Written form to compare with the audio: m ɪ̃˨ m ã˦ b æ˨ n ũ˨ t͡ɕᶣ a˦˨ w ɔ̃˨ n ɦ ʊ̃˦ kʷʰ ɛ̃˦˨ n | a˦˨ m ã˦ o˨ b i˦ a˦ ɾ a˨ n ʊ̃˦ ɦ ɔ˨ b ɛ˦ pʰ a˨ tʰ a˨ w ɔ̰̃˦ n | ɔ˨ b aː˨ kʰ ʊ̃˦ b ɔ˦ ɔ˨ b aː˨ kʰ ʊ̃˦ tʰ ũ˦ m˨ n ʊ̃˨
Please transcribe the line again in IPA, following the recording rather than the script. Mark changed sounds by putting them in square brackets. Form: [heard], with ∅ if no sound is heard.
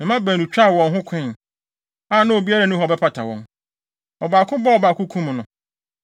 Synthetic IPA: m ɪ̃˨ m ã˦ b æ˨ n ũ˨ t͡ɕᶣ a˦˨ w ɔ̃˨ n ɦ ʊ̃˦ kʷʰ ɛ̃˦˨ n | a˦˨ [n] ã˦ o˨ b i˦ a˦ ɾ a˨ n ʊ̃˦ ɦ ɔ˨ b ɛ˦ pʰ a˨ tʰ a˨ w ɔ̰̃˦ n | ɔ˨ b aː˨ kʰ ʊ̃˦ b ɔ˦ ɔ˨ b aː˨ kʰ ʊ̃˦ [kʰ] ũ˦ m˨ n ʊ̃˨